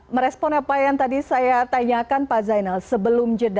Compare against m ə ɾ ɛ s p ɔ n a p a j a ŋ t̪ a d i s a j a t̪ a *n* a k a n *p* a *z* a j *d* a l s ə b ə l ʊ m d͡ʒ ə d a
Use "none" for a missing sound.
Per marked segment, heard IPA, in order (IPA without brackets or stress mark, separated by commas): ɲ, p, z, n